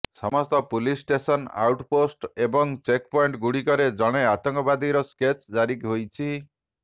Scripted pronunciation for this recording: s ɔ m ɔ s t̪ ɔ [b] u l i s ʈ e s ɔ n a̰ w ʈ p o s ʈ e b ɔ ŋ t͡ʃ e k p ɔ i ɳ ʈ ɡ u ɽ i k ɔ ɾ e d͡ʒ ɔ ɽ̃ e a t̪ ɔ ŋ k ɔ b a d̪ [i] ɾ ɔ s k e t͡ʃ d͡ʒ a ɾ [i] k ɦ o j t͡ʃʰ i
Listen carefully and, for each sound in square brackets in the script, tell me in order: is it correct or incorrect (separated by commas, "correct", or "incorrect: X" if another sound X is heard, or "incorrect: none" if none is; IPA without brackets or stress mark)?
incorrect: p, correct, correct